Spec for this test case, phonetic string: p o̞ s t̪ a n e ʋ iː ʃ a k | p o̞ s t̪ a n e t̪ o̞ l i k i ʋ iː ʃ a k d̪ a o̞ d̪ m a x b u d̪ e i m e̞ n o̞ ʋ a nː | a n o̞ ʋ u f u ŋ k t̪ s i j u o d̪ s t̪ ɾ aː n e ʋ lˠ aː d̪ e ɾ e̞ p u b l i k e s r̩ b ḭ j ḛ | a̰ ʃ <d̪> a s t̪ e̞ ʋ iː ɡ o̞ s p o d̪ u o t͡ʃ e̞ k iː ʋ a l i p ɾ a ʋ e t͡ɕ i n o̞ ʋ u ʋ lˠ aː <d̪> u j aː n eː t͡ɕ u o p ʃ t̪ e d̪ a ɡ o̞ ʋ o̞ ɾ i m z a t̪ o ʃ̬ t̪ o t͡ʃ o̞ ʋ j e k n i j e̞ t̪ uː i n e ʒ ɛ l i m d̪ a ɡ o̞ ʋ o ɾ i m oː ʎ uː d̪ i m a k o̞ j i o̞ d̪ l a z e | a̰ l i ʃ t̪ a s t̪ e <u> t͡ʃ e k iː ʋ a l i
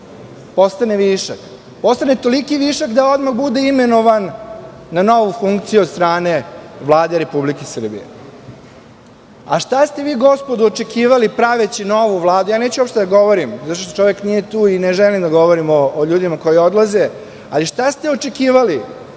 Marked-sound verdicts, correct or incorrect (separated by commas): incorrect, correct, incorrect